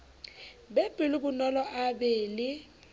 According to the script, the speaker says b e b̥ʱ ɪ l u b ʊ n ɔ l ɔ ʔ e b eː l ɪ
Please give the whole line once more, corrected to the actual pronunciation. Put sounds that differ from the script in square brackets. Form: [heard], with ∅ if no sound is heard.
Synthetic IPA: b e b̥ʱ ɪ l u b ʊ n ɔ l ɔ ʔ [a] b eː l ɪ